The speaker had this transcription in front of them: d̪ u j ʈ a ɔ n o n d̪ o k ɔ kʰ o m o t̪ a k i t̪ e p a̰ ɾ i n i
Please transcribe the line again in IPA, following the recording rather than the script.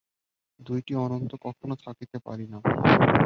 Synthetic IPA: d̪ u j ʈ i ɔ n o n t̪ o k ɔ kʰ o n o t̪ʰ a k i t̪ e p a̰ ɾ i n a

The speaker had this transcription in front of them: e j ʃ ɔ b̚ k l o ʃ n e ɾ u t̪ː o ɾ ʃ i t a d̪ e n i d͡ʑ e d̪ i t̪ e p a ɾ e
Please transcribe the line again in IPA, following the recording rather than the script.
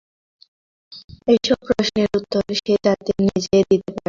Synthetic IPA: e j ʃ ɔ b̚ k ɾ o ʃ n e ɾ u t̪ː o ɾ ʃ e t a t̪ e n i d͡ʑ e d̪ i t̪ e p a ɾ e

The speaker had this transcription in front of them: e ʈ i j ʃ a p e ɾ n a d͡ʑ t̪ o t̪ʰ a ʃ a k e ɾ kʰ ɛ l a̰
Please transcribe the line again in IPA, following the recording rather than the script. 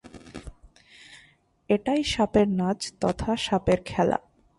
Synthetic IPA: e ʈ a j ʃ a p e ɾ n a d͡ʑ t̪ ɔ t̪ʰ a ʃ a p e ɾ kʰ ɛ l a̰

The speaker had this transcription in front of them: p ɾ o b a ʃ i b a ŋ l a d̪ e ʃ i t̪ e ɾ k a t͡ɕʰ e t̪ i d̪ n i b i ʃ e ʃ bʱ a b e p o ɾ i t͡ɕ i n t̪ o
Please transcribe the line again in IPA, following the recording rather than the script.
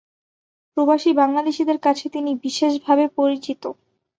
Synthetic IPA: p ɾ o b a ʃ i b a ŋ l a d̪ e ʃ i d̪ e ɾ k a t͡ɕʰ e t̪ i n i b i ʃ e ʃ bʱ a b e p o ɾ i t͡ɕ i t̪ o

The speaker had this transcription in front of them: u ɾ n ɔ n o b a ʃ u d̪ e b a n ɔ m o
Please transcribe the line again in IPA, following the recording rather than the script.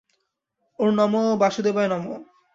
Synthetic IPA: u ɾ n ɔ m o b a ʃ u d̪ e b a n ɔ m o

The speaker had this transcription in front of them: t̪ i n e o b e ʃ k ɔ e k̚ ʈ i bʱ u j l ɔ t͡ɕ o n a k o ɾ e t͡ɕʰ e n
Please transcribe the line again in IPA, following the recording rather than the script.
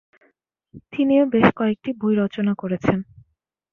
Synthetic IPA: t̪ i n i o b e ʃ k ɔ e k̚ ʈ i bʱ u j ɾ ɔ t͡ɕ o n a k o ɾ e t͡ɕʰ e n

